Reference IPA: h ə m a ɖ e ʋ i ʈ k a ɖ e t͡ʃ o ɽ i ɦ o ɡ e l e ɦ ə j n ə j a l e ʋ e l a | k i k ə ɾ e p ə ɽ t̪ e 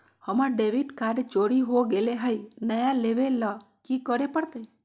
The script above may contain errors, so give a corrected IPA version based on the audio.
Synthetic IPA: h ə m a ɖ e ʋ i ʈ k a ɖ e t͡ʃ o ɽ i ɦ o ɡ e l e ɦ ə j n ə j a l e ʋ e l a | k i k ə ɾ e p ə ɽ t̪ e